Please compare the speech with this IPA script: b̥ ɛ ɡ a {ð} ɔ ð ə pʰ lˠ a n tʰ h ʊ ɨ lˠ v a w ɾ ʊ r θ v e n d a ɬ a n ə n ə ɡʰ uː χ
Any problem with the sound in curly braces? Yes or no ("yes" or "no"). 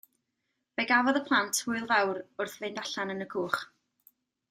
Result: yes